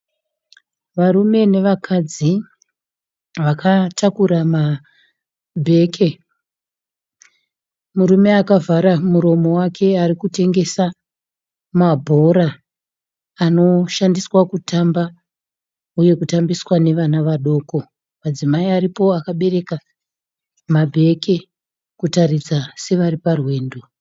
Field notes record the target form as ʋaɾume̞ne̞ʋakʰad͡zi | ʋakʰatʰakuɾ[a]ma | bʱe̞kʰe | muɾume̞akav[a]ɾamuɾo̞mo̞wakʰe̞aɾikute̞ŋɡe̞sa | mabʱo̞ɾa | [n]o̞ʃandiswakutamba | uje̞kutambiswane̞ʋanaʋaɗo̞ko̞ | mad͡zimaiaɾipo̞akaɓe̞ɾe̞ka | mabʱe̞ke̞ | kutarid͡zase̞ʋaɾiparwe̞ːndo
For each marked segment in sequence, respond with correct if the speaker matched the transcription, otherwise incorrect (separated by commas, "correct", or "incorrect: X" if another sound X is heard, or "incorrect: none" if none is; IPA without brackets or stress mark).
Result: correct, correct, correct